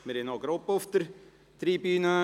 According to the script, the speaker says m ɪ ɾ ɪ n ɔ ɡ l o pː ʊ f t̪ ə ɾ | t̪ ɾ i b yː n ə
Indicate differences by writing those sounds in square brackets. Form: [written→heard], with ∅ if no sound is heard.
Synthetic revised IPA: m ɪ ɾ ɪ n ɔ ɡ [l→ɾ] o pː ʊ f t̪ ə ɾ | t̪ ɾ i b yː n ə